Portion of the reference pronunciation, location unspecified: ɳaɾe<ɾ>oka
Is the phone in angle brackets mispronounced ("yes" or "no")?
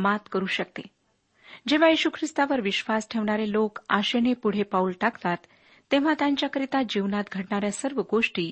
yes